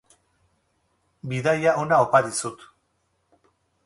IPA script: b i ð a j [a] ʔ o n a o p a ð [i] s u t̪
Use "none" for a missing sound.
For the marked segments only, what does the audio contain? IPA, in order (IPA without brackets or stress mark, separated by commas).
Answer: a, i